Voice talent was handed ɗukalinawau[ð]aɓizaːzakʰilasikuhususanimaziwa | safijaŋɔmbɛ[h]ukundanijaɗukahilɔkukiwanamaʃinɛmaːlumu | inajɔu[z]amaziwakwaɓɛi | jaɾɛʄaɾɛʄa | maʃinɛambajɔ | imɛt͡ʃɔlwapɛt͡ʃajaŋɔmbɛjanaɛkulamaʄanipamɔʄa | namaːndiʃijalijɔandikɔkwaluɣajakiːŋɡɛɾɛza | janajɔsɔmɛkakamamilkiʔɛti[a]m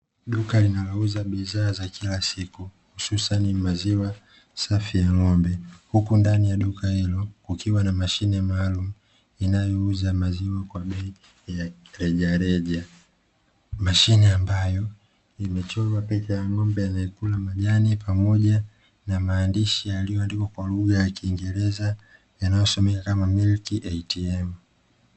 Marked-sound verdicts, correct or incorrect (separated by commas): incorrect, correct, correct, incorrect